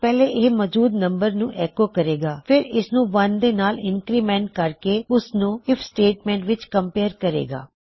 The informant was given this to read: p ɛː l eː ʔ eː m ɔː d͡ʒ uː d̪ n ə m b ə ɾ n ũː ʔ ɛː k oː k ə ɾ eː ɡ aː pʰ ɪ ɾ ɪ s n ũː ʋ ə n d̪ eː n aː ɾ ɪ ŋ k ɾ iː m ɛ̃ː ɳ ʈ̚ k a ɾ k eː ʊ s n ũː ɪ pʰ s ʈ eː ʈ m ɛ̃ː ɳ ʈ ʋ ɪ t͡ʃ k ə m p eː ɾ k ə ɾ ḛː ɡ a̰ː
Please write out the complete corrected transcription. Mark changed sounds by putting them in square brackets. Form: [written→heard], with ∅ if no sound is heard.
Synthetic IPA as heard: p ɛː l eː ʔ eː m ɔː d͡ʒ uː d̪ n ə m b ə ɾ n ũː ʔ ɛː k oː k ə ɾ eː ɡ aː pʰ ɪ ɾ ɪ s n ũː ʋ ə n d̪ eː n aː [ɾ→l] ɪ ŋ k ɾ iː m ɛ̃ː ɳ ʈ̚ k [a→ə] ɾ k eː ʊ s n ũː ɪ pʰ s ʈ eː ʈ m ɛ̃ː ɳ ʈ ʋ ɪ t͡ʃ k ə m p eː ɾ k ə ɾ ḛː ɡ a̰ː